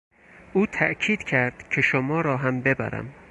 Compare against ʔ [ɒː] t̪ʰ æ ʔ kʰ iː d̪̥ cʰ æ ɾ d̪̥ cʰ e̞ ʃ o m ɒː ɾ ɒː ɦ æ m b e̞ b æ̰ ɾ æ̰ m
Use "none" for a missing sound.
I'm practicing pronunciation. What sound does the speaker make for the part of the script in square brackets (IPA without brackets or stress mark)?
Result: uː